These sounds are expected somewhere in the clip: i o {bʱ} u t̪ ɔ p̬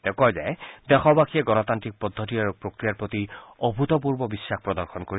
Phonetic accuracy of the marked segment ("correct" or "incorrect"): correct